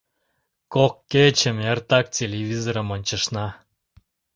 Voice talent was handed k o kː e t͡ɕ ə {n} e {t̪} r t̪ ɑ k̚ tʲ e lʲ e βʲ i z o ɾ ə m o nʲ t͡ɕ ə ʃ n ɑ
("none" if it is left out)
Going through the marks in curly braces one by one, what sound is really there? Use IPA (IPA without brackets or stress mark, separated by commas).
m, none